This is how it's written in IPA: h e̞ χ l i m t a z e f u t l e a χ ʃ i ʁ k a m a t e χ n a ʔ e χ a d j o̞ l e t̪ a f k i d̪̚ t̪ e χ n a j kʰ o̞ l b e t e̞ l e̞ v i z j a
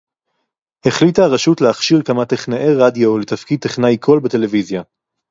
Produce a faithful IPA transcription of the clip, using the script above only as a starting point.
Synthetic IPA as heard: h e̞ χ l i t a ʁ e ʃ u t l e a χ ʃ i ʁ k a m a t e χ n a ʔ e ʁ a d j o̞ l e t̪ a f k i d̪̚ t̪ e χ n a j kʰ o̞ l b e t e̞ l e̞ v i z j a